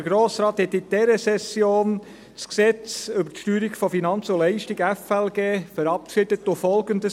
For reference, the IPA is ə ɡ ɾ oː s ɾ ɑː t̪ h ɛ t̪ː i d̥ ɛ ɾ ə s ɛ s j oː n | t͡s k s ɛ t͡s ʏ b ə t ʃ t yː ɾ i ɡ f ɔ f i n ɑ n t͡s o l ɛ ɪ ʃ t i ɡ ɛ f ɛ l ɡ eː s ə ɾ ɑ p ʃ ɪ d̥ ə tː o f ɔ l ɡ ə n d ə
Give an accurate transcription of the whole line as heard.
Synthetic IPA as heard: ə ɡ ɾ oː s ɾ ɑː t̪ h ɛ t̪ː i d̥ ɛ ɾ ə s ɛ s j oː n | t͡s k s ɛ t͡s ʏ b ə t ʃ t yː ɾ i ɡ f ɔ f i n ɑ n t͡s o l ɛ ɪ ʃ t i ɡ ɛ f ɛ l ɡ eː f ə ɾ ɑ p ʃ ɪ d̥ ə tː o f ɔ l ɡ ə n d ə